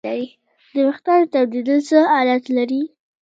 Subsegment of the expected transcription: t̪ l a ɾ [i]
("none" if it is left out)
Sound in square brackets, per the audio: i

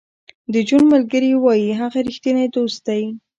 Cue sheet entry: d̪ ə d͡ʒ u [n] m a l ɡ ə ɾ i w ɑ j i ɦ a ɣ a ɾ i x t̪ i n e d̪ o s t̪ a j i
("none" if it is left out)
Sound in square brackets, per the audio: n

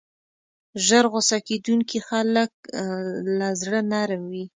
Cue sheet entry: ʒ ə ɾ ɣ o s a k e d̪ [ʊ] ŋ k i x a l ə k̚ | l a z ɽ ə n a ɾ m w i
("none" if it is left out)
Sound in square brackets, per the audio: u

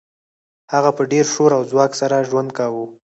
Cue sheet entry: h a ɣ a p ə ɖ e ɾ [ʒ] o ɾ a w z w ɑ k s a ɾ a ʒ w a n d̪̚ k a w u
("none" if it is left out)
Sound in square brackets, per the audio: ʃ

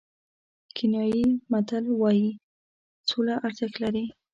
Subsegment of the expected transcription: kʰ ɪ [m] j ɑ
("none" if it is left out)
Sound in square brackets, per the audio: n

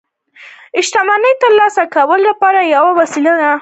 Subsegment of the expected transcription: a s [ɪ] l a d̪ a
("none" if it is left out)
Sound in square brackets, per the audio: i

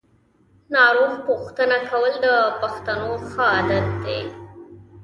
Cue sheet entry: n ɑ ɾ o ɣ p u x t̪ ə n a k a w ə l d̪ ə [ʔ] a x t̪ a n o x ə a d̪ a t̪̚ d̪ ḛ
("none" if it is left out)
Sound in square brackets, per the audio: p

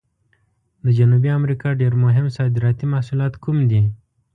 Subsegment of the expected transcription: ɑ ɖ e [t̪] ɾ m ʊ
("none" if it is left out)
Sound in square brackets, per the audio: none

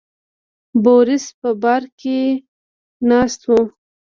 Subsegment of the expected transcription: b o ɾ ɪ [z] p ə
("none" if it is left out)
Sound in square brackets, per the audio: s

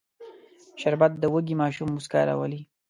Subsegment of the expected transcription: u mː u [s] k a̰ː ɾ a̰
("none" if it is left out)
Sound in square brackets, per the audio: s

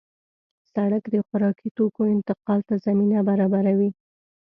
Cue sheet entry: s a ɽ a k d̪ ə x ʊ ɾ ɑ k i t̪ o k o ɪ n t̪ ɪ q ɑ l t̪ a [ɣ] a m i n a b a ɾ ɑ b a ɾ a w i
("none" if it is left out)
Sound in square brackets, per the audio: z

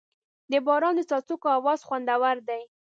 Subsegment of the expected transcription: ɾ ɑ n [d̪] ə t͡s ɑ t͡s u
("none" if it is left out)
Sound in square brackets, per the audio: d̪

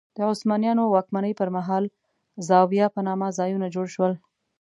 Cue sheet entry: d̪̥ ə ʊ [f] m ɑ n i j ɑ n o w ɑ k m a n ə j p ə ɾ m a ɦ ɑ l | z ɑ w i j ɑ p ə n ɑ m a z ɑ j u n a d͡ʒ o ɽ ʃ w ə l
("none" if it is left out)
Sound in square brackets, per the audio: s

